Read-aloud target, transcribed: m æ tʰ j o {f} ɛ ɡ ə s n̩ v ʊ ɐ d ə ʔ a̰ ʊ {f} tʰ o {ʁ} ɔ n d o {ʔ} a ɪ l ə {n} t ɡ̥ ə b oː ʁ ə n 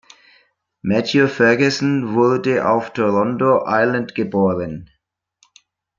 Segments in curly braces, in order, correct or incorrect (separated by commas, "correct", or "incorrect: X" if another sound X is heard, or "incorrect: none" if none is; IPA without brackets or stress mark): correct, correct, correct, correct, correct